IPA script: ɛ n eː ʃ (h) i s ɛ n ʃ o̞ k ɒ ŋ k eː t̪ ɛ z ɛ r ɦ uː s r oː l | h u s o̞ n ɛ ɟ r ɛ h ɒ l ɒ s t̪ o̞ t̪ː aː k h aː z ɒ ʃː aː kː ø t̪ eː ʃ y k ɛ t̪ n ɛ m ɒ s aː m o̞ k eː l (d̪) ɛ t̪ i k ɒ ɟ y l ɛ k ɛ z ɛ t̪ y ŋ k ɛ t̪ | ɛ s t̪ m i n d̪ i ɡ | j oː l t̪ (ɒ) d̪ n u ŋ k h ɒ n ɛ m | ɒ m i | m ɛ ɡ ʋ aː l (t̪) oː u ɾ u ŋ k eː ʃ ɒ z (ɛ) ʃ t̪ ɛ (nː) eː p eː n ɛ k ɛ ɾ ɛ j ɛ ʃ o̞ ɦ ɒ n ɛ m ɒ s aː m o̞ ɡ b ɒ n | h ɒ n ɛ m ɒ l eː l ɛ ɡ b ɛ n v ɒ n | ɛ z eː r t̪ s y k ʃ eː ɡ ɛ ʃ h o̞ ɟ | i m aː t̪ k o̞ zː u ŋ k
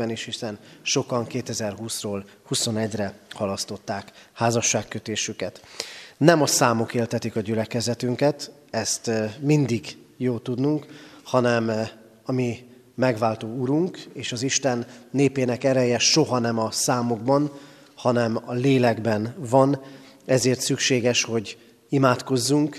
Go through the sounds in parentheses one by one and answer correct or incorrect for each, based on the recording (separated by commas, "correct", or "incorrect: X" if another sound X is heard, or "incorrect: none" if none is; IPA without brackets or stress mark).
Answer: correct, incorrect: t̪, incorrect: u, correct, incorrect: i, correct